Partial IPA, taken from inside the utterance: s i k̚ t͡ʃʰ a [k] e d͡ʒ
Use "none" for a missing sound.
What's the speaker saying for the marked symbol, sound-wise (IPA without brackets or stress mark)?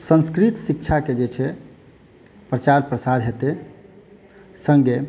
k